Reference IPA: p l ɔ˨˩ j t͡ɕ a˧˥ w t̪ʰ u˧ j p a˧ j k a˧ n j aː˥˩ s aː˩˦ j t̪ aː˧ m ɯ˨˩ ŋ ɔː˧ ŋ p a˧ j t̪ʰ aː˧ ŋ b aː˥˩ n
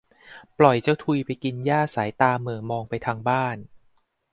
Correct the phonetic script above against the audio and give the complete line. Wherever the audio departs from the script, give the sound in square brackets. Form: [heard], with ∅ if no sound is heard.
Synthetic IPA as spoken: p l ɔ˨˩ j t͡ɕ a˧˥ w t̪ʰ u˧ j p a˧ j k [i˧] n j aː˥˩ s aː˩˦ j t̪ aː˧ m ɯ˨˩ [m] ɔː˧ ŋ p a˧ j t̪ʰ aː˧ ŋ b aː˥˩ n

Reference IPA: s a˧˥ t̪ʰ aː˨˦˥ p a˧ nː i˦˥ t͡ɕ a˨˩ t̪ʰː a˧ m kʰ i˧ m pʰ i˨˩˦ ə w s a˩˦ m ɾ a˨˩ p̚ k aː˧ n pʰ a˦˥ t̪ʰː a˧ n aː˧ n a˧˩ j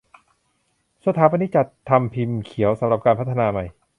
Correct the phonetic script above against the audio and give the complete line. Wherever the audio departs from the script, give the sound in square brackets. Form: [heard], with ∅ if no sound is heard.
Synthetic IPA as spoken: s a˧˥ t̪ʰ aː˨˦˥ p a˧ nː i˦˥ t͡ɕ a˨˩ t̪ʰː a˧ m [pʰ] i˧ m [kʰ] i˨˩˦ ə w s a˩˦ m ɾ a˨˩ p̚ k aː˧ n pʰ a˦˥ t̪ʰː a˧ n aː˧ [m] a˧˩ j

